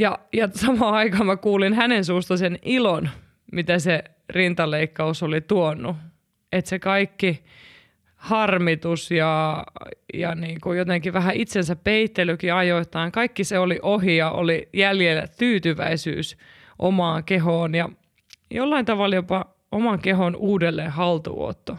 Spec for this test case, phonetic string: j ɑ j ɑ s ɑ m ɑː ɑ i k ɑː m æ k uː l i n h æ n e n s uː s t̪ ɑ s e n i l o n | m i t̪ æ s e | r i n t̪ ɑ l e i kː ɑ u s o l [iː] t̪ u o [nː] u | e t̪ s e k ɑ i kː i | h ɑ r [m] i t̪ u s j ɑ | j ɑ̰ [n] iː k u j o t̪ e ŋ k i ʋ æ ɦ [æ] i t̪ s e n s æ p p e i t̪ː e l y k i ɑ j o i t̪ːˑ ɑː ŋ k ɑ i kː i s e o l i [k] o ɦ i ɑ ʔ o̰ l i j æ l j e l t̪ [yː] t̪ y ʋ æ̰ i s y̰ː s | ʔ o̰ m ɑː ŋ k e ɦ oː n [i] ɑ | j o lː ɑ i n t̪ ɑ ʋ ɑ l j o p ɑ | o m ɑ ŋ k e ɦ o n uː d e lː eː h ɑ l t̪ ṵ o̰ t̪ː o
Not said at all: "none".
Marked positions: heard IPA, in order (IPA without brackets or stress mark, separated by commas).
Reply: i, nː, m, n, æ, ʔ, yː, j